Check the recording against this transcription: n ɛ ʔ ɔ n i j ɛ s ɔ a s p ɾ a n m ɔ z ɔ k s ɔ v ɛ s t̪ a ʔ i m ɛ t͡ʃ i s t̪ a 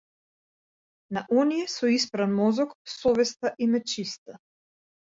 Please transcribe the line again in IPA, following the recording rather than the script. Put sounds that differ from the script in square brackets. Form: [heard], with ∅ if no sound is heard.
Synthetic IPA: n [a] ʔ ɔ n i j ɛ s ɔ [i] s p ɾ a n m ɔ z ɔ k s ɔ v ɛ s t̪ a ʔ i m ɛ t͡ʃ i s t̪ a